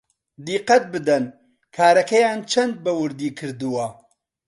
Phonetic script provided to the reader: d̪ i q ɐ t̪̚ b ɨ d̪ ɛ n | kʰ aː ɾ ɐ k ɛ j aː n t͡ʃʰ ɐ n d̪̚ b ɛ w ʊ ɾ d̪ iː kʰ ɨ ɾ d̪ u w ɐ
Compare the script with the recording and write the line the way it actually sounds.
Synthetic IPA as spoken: d̪ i q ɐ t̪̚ b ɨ d̪ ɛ n | kʰ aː ɾ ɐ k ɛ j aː n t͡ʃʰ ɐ n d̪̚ b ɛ w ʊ ɾ d̪ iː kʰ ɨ ɾ d̪ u w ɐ